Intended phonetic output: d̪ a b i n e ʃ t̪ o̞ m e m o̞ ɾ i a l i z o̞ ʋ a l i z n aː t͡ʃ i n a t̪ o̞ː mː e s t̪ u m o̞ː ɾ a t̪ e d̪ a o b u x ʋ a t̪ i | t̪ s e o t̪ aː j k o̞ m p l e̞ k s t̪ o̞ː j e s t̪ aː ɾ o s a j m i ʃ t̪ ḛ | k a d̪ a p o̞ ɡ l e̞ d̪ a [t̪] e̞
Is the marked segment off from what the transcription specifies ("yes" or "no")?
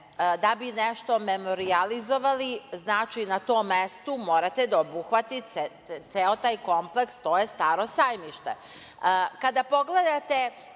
no